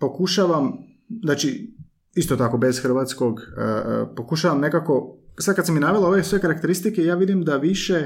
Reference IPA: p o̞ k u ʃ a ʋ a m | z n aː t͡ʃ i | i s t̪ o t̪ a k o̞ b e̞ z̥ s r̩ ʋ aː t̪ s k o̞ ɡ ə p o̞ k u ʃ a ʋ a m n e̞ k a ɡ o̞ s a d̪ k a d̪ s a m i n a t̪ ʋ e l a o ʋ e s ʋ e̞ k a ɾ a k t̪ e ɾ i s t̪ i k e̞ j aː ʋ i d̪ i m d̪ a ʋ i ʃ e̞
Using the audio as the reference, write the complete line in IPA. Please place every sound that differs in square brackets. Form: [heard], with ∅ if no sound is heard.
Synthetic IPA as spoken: p o̞ k u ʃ a ʋ a m | z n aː t͡ʃ i | i s t̪ o t̪ a k o̞ b e̞ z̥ [x] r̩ ʋ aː t̪ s k o̞ ɡ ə p o̞ k u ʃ a ʋ a m n e̞ k a [k] o̞ s a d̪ k a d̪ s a m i n a [∅] ʋ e l a o ʋ e s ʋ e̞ k a ɾ a k t̪ e ɾ i s t̪ i k e̞ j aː ʋ i d̪ i m d̪ a ʋ i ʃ e̞